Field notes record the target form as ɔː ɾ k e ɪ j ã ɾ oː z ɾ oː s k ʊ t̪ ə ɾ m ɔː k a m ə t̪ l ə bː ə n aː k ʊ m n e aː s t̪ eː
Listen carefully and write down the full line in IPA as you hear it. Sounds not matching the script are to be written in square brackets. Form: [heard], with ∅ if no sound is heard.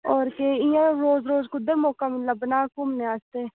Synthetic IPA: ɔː ɾ k e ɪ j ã ɾ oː z ɾ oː [z] k ʊ [d̪] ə ɾ m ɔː k a m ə t̪ l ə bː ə n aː k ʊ m n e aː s t̪ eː

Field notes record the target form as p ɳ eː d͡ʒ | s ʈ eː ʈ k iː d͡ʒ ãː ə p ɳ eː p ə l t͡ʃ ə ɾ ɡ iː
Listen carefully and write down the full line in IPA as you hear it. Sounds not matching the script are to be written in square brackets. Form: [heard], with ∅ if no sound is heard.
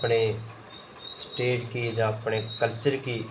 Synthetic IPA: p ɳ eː [∅] | s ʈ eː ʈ k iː d͡ʒ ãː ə p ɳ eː [k] ə l t͡ʃ ə ɾ [k] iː

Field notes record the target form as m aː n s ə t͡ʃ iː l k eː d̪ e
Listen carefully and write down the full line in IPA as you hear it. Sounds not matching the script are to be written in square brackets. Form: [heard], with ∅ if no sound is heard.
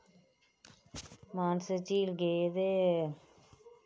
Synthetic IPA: m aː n s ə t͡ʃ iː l [ɡ] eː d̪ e

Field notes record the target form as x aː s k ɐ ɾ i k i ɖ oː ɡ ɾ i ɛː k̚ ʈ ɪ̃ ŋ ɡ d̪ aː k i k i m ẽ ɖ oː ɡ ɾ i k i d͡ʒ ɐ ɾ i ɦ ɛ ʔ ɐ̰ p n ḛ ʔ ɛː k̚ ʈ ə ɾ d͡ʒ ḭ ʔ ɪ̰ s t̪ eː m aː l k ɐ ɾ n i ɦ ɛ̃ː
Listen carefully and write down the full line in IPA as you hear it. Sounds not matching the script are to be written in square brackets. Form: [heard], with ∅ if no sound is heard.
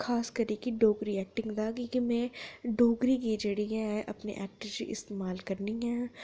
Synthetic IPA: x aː s k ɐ ɾ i k i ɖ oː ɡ ɾ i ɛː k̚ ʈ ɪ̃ ŋ ɡ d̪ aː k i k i m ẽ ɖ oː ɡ ɾ i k i d͡ʒ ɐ [ɽ] i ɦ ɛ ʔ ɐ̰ p n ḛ ʔ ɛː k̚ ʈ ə ɾ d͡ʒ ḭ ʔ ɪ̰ s t̪ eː m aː l k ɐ ɾ n i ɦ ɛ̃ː

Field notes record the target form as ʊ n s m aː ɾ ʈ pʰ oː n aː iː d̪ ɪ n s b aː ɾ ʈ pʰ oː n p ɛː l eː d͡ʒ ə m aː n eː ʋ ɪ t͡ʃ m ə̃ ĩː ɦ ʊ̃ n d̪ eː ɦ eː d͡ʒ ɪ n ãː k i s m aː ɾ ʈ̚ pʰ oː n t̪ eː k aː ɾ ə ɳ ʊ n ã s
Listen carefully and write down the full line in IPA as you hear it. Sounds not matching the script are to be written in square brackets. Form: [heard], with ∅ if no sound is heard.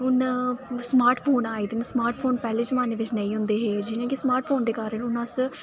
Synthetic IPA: ʊ n s m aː ɾ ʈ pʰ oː n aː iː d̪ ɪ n s [m] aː ɾ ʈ pʰ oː n p ɛː l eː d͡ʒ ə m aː n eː ʋ ɪ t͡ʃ [n] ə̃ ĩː ɦ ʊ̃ n d̪ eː ɦ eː d͡ʒ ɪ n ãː k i s m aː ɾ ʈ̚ pʰ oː n [d̪] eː k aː ɾ ə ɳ ʊ n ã s

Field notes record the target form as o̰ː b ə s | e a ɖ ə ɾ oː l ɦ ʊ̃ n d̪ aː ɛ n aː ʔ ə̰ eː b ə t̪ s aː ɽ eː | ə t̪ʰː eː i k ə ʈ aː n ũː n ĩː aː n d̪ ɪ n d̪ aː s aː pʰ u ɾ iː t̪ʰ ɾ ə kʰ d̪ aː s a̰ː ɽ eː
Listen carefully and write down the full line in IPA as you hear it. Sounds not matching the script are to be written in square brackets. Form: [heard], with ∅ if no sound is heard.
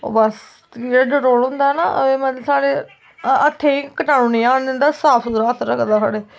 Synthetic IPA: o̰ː b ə s | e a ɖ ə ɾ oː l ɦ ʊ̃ n d̪ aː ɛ n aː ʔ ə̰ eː [m] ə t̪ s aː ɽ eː | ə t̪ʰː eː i k ə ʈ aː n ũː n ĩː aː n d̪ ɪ n d̪ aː s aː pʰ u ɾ [aː] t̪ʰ ɾ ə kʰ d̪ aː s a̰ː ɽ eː

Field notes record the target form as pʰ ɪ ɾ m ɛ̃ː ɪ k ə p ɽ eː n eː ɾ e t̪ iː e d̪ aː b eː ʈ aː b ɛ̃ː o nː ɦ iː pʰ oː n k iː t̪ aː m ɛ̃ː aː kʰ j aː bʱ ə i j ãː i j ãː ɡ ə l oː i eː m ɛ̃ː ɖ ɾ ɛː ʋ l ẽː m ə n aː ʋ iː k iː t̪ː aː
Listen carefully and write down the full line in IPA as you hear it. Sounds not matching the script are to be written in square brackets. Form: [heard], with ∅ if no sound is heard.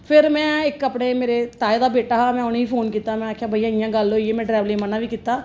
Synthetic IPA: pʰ ɪ ɾ m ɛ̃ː ɪ k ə p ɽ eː [m] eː ɾ e t̪ [aː] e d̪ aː b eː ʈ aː [m] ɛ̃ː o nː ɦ iː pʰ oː n k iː t̪ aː m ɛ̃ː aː kʰ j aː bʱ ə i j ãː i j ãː ɡ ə l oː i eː m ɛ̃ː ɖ ɾ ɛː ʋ l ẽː m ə n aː ʋ iː k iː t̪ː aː

